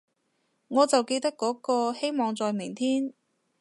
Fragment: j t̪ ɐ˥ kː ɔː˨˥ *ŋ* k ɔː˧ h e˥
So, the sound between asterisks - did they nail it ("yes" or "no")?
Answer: no